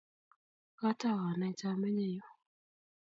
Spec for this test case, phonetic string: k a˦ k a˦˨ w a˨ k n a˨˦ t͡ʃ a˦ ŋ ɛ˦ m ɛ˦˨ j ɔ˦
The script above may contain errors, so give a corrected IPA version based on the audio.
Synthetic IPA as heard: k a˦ t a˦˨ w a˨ n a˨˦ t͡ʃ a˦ m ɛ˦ ɲ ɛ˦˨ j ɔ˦